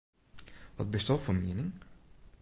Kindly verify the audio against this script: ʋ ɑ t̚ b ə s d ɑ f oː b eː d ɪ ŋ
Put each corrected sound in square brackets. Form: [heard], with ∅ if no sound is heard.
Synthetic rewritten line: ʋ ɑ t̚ b ə s [t] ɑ f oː [m] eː [n] ɪ ŋ